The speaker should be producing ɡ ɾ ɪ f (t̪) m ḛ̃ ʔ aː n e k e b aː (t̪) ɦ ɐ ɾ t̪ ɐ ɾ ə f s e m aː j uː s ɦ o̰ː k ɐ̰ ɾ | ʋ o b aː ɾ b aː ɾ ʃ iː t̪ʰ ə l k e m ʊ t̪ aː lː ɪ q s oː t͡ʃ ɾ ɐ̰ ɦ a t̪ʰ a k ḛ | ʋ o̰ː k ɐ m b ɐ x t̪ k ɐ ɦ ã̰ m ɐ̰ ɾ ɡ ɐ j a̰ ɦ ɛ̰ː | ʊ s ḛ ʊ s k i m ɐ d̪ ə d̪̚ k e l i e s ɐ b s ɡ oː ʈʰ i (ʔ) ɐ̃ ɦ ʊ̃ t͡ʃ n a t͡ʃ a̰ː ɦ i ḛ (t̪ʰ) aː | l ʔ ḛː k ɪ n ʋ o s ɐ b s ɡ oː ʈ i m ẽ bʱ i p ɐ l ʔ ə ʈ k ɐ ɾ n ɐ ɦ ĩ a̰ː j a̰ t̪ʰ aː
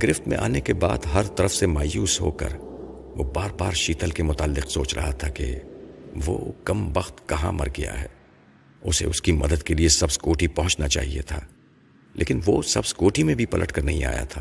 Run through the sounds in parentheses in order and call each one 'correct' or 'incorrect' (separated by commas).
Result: correct, incorrect, incorrect, correct